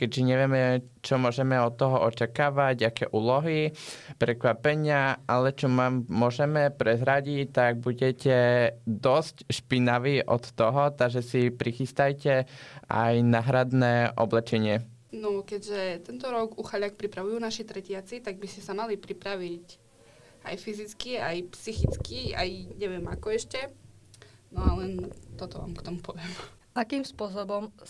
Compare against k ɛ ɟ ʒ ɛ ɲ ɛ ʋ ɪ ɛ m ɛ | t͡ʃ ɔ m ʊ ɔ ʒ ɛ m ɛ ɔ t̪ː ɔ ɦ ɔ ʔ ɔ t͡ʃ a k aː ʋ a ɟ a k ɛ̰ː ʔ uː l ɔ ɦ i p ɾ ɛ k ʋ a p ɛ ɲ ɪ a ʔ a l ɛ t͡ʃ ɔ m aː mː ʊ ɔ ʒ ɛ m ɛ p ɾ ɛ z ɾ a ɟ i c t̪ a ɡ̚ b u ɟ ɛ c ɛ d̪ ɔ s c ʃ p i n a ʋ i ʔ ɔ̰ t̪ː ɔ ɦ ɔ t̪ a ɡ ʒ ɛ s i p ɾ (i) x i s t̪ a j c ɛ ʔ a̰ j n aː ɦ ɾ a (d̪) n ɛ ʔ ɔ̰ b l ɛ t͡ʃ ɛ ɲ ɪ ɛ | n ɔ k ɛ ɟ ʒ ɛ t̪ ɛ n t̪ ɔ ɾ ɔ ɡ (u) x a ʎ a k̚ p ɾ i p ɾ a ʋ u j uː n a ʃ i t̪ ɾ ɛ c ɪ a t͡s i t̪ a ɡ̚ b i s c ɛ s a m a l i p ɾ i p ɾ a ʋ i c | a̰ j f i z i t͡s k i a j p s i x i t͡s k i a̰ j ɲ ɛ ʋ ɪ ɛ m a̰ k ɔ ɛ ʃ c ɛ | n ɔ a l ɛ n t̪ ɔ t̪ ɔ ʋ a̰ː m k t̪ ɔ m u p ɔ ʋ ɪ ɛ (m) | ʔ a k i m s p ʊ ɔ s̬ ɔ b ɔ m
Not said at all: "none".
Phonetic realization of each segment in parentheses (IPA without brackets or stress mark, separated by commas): i, d̪, u, m